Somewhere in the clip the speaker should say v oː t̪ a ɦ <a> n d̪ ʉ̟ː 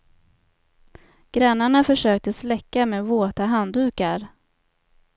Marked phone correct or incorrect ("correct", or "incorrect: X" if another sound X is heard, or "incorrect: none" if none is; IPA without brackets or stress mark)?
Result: correct